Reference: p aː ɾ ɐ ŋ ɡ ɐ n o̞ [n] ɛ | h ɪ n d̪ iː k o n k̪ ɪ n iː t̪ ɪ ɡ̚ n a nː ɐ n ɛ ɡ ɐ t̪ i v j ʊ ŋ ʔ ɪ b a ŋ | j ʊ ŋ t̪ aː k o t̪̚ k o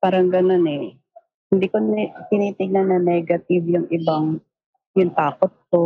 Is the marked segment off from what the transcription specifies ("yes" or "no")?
no